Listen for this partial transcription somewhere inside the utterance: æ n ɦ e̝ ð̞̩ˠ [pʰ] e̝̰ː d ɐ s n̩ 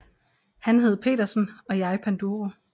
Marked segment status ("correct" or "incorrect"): correct